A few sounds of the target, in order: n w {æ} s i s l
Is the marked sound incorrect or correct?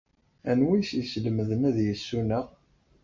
incorrect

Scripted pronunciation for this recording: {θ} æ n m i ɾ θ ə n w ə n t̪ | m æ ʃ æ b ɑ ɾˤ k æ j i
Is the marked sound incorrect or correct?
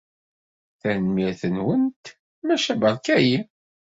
correct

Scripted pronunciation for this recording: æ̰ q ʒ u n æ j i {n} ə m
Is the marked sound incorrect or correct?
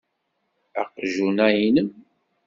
correct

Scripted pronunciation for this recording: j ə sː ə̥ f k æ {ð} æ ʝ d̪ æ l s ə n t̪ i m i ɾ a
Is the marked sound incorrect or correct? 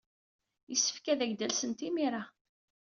correct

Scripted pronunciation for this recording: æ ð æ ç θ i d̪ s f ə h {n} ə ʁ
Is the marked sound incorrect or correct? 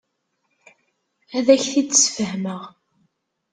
incorrect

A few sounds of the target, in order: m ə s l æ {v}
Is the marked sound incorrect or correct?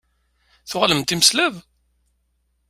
correct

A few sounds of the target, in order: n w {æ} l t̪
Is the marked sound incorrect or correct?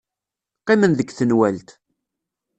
correct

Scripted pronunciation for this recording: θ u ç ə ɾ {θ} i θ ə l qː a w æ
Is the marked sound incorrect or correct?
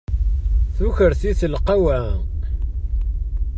correct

